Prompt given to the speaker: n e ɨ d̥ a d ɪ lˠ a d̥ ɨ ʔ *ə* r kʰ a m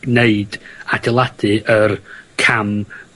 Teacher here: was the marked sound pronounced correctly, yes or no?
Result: yes